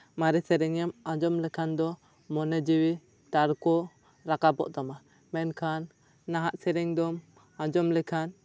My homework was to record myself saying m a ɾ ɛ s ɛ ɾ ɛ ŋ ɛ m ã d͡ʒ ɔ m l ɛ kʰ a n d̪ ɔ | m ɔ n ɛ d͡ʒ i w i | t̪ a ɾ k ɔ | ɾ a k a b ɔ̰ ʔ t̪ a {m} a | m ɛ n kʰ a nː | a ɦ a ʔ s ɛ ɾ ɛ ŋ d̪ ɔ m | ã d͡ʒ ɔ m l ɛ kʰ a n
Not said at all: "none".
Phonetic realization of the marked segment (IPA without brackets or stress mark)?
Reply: m